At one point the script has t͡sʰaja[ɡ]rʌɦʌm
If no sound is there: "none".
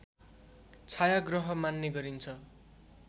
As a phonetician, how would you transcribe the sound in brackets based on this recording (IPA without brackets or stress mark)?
ɡ